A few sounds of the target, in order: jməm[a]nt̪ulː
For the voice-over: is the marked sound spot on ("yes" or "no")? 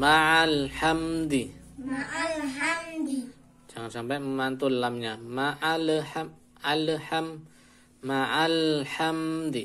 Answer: yes